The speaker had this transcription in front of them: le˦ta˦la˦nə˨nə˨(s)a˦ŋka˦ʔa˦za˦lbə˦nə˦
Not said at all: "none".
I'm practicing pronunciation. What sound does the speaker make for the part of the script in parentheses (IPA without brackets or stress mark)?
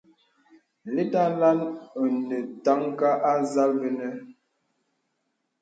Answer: t